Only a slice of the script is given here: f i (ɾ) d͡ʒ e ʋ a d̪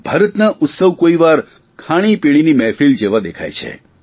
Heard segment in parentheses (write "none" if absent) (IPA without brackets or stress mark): l